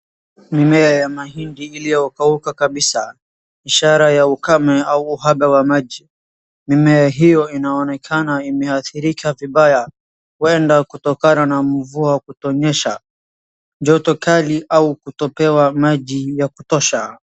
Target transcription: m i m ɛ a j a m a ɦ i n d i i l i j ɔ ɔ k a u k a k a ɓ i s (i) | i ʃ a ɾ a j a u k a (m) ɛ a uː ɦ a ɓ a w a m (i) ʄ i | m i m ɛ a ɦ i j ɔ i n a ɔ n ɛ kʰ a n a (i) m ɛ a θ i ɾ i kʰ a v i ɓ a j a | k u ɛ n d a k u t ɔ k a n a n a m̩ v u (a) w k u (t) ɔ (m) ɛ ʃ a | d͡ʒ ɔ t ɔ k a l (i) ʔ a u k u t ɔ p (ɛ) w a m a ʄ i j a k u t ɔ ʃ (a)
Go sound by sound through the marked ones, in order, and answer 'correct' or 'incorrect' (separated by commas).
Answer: incorrect, correct, incorrect, correct, correct, correct, incorrect, correct, correct, correct